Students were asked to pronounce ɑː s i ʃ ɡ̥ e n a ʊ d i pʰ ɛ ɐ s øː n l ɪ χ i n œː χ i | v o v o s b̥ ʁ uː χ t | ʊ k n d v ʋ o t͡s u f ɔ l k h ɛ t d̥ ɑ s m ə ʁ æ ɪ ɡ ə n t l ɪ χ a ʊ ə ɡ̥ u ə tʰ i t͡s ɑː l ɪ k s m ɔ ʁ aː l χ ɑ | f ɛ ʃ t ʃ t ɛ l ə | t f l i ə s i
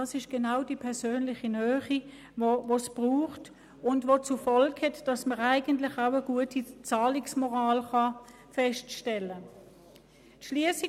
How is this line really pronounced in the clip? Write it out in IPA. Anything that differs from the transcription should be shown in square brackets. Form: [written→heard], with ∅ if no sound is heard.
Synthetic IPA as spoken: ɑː s [i→ɪ] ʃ ɡ̥ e n a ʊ d i pʰ ɛ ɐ s øː n l ɪ χ i n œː χ i | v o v o s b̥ ʁ uː χ t | ʊ [k→∅] n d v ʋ o t͡s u f ɔ l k h ɛ t d̥ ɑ s m ə ʁ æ ɪ ɡ ə n t l ɪ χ a ʊ ə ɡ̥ u ə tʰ i t͡s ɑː l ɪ k s m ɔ ʁ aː l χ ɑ | f ɛ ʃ t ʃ t ɛ l ə | t [f→ʃ] l i ə s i